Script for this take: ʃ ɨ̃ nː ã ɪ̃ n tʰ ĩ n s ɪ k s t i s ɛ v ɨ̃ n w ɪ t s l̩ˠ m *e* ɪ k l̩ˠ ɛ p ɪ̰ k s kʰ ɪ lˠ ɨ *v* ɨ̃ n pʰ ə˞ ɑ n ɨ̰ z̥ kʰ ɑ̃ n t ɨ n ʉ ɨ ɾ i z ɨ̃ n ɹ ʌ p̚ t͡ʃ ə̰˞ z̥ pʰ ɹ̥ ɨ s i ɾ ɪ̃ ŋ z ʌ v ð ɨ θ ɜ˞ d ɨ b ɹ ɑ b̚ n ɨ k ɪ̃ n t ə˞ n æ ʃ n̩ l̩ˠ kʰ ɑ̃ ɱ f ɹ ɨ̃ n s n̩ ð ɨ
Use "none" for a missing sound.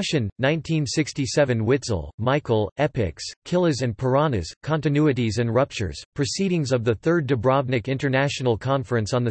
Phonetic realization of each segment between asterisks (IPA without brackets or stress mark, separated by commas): a, z